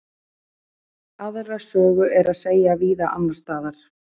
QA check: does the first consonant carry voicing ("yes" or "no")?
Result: yes